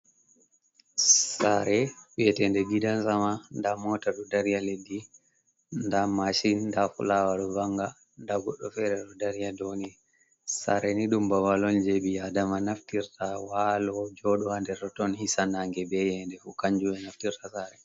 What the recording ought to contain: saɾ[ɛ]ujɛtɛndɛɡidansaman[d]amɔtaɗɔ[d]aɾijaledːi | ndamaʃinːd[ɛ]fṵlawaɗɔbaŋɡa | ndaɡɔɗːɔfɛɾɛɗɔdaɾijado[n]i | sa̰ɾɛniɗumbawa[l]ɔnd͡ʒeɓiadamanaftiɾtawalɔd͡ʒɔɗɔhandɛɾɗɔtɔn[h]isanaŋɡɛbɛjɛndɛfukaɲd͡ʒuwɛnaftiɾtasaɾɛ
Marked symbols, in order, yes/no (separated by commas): yes, yes, yes, no, yes, yes, yes